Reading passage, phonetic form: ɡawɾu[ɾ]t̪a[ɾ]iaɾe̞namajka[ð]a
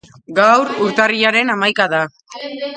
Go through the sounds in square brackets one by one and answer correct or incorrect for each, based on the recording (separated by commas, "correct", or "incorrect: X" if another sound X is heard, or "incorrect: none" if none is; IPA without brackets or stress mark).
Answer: correct, incorrect: r, correct